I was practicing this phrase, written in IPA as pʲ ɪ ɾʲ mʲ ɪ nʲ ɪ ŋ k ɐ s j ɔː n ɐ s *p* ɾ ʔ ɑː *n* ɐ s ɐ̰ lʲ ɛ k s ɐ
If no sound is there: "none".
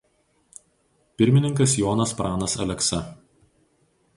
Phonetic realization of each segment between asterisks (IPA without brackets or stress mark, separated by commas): p, n